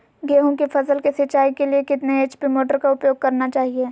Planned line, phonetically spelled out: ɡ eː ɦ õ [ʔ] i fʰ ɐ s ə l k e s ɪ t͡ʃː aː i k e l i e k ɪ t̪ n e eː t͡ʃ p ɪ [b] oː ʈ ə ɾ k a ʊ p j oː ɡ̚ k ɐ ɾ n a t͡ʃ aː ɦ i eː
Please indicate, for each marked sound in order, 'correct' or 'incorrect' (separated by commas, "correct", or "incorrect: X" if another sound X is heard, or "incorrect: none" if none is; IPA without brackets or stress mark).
incorrect: k, incorrect: m